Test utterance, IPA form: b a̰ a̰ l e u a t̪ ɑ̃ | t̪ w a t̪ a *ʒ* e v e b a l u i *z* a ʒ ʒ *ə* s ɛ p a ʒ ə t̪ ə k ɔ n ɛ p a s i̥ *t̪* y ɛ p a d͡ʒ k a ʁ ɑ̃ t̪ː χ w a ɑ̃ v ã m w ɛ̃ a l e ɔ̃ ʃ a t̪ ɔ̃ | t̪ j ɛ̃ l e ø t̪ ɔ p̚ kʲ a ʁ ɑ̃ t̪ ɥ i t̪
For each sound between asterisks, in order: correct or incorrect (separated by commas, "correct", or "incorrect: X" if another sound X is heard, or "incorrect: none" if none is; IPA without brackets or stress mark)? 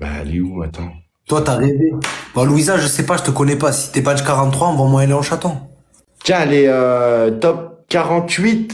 incorrect: ʁ, correct, correct, correct